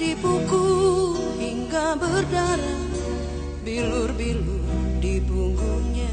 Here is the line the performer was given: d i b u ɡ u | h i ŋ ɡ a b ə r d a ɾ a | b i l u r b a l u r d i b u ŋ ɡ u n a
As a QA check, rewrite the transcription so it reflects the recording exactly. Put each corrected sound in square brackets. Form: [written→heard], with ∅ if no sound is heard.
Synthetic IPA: d i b u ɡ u | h i ŋ ɡ a b ə r d a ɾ a | b i l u r b [a→i] l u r d i b u ŋ ɡ u [n→ɲ] a